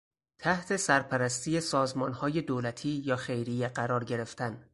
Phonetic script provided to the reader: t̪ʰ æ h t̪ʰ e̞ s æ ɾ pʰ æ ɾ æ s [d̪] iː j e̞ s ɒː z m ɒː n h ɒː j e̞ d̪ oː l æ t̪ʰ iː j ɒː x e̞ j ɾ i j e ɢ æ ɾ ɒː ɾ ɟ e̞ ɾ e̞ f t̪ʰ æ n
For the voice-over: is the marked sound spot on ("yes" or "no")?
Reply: no